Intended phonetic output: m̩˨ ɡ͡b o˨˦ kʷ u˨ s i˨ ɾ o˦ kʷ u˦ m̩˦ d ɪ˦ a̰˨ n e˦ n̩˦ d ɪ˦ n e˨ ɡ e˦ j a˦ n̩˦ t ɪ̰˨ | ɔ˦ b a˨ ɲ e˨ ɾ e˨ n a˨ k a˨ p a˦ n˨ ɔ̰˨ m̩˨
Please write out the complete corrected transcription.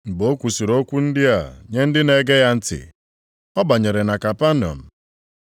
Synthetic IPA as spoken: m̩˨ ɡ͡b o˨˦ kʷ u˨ s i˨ ɾ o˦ kʷ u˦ n̩˦ d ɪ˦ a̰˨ ɲ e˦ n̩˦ d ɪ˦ n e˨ ɡ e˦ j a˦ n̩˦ t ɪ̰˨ | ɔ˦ b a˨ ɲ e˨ ɾ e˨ n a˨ k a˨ p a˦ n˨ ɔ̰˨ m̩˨